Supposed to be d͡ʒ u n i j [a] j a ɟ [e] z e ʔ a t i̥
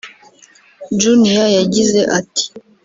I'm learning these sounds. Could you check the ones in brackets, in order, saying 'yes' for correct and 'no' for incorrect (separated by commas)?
yes, no